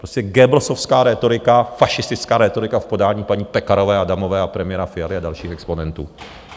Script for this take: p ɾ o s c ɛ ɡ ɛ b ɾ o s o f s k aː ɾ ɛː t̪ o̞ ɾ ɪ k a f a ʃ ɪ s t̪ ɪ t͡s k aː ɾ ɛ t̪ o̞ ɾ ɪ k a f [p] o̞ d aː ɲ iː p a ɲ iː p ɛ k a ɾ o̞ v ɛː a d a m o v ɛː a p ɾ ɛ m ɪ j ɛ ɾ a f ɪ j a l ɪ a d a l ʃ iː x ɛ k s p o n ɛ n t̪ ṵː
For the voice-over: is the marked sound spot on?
yes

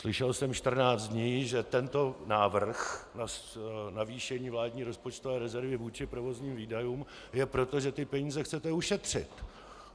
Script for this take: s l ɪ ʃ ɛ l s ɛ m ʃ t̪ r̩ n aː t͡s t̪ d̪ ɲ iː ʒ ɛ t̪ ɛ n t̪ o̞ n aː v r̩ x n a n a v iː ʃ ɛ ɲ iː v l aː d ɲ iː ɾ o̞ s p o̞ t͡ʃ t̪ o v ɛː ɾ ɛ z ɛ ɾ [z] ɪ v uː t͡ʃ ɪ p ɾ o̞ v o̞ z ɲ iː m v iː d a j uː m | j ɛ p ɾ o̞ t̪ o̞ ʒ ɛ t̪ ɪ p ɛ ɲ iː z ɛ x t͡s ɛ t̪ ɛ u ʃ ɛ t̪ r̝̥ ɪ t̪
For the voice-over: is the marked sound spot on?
no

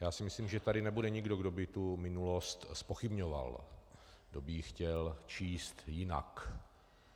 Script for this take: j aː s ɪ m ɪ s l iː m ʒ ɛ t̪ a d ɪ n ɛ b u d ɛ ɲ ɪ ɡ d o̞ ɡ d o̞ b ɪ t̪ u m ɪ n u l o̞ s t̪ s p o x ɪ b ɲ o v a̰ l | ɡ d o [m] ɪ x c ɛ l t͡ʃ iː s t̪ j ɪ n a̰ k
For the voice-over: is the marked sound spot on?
no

